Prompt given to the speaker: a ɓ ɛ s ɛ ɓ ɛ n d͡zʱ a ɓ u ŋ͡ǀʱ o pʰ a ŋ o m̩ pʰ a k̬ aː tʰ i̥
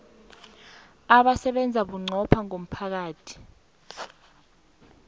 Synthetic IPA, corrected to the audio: a ɓ a s ɛ ɓ ɛ n d͡zʱ a ɓ u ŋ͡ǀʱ ɔ pʰ a ŋ o m̩ pʰ a k̬ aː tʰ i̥